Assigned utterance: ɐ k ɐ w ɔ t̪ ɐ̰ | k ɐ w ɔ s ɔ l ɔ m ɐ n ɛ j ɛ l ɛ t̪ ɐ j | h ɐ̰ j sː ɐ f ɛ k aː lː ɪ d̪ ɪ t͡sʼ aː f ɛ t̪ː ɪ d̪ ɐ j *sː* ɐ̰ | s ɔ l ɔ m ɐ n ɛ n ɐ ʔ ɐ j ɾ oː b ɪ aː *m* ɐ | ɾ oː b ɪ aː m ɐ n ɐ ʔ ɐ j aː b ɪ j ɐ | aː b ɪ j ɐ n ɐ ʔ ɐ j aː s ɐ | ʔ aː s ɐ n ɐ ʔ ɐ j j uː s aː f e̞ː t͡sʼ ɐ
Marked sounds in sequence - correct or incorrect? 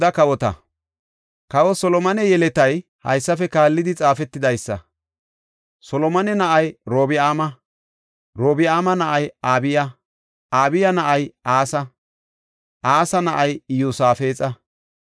correct, correct

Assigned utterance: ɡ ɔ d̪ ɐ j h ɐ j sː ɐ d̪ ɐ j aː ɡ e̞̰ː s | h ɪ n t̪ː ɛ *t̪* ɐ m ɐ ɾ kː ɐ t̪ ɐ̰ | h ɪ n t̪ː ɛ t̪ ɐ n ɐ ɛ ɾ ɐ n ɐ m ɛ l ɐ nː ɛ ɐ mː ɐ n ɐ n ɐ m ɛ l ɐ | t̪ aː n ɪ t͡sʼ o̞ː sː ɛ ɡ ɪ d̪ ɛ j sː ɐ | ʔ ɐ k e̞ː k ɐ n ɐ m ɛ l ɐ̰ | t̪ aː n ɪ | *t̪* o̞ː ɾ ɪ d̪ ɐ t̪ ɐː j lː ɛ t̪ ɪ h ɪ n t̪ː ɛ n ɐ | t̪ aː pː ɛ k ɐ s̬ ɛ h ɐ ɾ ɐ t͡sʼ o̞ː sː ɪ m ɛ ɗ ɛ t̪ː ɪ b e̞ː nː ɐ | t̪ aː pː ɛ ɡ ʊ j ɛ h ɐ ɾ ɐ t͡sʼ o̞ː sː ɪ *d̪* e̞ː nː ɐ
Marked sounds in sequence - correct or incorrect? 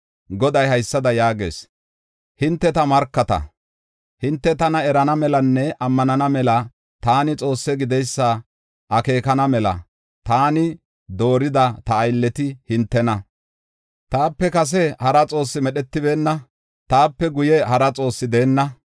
correct, incorrect: d̪, correct

